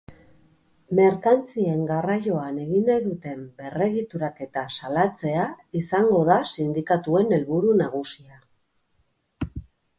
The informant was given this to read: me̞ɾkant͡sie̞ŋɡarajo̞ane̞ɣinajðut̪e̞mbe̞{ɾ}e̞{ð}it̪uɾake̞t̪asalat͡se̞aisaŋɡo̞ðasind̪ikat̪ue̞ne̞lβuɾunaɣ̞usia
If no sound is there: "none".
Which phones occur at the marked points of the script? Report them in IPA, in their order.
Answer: r, ɣ

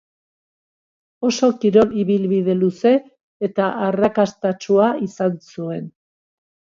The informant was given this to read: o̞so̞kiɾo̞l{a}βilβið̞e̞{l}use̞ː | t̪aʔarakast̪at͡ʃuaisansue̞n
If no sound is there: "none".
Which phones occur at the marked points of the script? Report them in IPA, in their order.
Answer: i, l

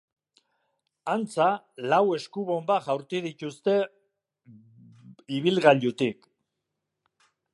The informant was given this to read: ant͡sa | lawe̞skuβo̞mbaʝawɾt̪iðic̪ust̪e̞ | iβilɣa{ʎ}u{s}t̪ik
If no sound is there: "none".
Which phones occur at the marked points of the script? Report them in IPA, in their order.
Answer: ʎ, none

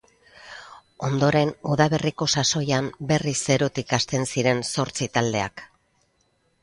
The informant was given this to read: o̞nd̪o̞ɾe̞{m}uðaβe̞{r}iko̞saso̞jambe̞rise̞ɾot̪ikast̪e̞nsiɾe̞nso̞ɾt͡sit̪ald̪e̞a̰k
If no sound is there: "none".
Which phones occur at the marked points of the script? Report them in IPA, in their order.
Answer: n, r

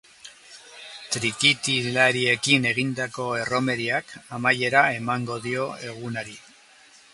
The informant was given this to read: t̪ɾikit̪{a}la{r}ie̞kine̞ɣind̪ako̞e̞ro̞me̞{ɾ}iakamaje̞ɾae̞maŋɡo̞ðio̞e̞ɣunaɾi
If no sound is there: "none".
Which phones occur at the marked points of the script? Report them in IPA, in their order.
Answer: i, ɾ, ɾ

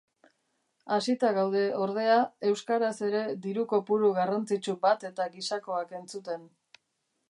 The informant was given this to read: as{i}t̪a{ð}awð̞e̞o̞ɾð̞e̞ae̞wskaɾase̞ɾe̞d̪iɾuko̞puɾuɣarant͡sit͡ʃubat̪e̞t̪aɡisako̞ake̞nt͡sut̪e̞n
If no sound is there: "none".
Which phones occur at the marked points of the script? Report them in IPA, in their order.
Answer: i, ɣ

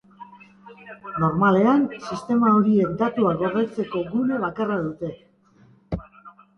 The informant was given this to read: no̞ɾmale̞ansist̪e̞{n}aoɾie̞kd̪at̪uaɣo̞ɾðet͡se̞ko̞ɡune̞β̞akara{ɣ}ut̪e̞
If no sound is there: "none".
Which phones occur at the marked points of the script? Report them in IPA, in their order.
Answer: m, ð

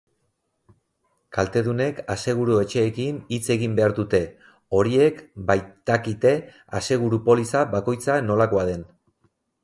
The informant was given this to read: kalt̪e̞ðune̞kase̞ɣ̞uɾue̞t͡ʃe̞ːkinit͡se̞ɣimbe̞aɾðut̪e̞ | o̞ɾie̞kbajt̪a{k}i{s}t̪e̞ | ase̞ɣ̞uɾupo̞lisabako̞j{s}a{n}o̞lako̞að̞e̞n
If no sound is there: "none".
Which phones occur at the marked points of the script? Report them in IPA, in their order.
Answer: k, none, t͡s, n

